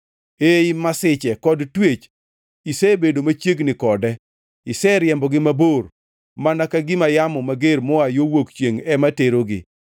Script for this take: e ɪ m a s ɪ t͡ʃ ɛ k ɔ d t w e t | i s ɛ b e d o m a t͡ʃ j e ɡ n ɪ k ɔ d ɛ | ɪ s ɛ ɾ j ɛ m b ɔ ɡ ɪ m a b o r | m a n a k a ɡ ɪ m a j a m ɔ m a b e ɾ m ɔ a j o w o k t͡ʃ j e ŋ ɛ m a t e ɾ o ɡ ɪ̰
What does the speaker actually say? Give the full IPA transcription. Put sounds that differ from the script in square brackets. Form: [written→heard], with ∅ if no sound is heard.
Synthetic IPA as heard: e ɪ m a s ɪ t͡ʃ ɛ k ɔ d t w e [t→t͡ʃ] | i s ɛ b e d o m a t͡ʃ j e ɡ n ɪ k ɔ d ɛ | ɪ s ɛ ɾ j ɛ m b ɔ ɡ ɪ m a b o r | m a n a k a ɡ ɪ m a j a m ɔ m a [b→ɡ] e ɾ m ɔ a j o w o k t͡ʃ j e ŋ ɛ m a t e ɾ o ɡ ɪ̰